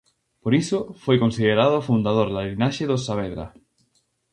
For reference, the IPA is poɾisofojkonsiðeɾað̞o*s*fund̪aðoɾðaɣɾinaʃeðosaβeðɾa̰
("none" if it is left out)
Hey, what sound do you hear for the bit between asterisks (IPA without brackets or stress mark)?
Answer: none